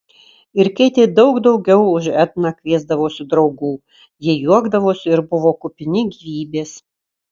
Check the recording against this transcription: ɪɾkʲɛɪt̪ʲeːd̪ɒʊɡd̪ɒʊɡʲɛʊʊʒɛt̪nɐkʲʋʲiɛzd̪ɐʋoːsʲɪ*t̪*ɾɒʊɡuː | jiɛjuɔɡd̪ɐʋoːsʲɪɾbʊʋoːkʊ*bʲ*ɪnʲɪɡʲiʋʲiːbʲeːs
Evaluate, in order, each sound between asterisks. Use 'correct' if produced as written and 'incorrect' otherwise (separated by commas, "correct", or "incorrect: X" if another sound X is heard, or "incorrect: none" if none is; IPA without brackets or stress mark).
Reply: incorrect: d̪, incorrect: pʲ